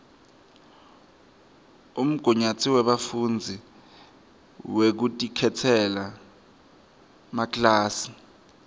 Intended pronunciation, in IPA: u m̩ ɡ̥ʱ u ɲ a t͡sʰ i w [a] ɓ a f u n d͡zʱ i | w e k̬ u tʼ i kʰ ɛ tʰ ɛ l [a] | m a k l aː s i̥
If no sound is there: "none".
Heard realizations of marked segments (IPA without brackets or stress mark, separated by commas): ɛ, a